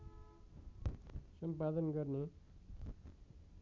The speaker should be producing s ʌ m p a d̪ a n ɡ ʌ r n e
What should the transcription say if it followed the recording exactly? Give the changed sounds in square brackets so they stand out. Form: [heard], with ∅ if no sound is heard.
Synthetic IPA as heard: s ʌ m p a d̪ [ʌ] n ɡ ʌ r n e